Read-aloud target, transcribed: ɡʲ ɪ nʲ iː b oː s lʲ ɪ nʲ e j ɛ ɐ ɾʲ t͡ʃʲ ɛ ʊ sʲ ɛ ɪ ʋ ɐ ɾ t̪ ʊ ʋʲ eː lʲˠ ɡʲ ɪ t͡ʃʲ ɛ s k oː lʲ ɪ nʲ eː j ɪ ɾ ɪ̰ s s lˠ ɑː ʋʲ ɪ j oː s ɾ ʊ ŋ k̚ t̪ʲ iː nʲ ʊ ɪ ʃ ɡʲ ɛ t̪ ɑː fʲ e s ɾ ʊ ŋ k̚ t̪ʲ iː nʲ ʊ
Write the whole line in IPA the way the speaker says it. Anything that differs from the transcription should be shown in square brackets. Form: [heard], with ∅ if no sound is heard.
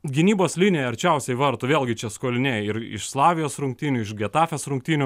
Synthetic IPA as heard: ɡʲ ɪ nʲ iː b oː s lʲ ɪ nʲ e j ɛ ɐ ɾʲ t͡ʃʲ ɛ ʊ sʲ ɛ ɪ ʋ ɐ ɾ t̪ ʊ ʋʲ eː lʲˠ ɡʲ ɪ t͡ʃʲ ɛ s k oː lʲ ɪ nʲ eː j ɪ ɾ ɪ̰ [ʃ] s lˠ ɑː ʋʲ ɪ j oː s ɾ ʊ ŋ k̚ t̪ʲ iː nʲ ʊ ɪ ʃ ɡʲ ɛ t̪ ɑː fʲ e s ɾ ʊ ŋ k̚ t̪ʲ iː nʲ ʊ